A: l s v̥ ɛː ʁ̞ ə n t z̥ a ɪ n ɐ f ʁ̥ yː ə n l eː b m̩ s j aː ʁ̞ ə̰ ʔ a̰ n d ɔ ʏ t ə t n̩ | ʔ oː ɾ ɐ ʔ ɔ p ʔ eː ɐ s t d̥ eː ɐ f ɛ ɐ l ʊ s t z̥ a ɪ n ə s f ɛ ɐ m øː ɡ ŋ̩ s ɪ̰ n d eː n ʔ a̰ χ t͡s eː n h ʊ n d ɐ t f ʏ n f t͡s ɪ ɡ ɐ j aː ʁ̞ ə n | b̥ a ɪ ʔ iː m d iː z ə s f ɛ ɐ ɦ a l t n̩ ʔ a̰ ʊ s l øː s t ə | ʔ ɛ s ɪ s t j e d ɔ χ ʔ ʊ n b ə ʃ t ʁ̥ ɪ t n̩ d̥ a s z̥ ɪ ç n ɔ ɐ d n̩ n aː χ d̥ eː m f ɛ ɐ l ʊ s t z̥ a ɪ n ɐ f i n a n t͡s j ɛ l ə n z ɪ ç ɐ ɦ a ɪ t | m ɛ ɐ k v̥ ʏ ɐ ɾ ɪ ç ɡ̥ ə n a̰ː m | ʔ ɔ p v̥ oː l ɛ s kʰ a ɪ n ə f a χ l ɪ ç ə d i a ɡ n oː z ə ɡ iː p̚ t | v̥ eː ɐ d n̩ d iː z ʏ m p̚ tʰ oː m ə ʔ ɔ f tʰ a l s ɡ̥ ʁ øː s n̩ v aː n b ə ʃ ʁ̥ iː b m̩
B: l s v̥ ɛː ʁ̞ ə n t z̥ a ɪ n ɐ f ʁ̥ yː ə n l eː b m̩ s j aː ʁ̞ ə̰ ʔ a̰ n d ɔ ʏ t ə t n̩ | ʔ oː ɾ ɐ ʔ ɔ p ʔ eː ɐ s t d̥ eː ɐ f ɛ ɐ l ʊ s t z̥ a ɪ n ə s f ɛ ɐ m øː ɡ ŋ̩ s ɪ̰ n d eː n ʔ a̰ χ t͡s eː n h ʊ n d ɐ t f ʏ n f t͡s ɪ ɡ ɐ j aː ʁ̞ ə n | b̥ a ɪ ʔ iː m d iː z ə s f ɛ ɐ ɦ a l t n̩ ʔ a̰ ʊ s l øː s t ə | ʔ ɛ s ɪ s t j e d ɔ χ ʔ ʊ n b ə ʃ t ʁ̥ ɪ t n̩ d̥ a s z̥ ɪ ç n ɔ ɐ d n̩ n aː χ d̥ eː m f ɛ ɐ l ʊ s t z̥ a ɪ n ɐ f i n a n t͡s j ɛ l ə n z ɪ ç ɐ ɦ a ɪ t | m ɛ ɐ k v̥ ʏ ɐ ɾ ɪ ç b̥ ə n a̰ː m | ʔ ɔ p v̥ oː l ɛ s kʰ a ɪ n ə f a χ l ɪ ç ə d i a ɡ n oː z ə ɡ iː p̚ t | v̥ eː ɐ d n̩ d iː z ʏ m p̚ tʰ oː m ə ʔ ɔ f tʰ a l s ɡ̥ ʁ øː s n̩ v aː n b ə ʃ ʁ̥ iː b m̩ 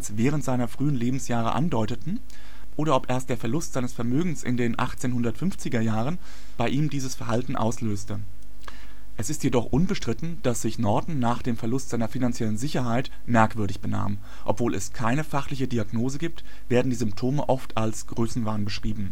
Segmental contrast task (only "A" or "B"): B